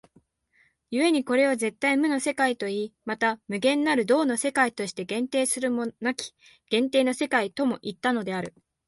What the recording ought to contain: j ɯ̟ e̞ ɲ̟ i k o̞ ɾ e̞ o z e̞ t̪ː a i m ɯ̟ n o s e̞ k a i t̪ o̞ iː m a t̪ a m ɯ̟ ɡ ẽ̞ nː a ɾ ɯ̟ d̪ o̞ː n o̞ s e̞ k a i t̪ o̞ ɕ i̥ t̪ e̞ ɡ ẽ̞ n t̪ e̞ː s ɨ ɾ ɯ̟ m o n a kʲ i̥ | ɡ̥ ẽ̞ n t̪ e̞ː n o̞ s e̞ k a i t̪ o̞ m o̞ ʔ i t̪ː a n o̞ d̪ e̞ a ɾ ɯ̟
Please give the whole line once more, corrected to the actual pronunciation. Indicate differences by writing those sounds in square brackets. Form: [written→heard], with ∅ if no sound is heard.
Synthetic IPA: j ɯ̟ e̞ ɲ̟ i k o̞ ɾ e̞ o z e̞ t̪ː a i m ɯ̟ n o s e̞ k a i t̪ o̞ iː m a t̪ a m ɯ̟ ɡ ẽ̞ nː a ɾ ɯ̟ d̪ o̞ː n o̞ s e̞ k a i t̪ o̞ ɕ i̥ t̪ e̞ ɡ ẽ̞ n t̪ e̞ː s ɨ ɾ ɯ̟ m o n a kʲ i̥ | ɡ̥ ẽ̞ n t̪ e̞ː n o̞ s e̞ k a i t̪ o̞ m o̞ ʔ i t̪ː a n o̞ d̪ e̞ a ɾ ɯ̟